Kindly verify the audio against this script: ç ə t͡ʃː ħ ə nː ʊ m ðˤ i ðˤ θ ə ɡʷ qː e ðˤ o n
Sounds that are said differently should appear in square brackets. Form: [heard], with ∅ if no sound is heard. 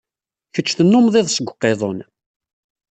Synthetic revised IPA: ç ə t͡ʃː [θ] ə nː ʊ m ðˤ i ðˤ [s] ə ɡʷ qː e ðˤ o n